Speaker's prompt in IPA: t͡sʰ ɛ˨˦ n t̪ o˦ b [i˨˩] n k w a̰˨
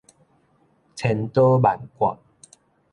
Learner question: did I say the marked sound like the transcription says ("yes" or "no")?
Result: no